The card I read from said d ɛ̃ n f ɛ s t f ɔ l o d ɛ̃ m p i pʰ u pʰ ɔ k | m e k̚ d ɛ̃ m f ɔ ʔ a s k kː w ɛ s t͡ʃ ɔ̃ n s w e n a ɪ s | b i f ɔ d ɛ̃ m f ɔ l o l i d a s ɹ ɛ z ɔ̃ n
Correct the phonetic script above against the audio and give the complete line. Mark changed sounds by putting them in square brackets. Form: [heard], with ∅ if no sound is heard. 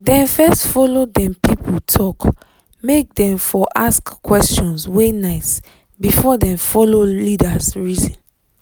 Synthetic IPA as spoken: d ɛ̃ n f ɛ s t f ɔ l o d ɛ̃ m p i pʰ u [tʰ] ɔ k | m e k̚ d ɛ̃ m f ɔ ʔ a s k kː w ɛ s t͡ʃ ɔ̃ n s w e n a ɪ s | b i f ɔ d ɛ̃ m f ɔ l o l i d a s ɹ [i] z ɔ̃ n